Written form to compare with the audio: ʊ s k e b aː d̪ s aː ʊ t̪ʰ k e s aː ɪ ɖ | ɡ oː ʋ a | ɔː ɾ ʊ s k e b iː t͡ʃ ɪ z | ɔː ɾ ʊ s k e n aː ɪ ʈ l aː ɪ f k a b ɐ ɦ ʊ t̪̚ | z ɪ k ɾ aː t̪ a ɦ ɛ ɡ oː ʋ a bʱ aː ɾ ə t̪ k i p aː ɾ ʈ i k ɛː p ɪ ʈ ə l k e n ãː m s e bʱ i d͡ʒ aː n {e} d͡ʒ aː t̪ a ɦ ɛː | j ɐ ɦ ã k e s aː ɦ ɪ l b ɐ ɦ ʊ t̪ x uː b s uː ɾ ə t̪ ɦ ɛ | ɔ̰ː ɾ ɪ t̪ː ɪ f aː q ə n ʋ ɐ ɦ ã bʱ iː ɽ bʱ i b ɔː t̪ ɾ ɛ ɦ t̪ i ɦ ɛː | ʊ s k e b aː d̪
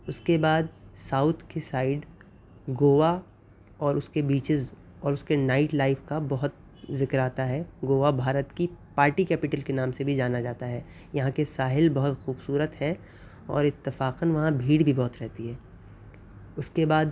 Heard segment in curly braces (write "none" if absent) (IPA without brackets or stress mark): a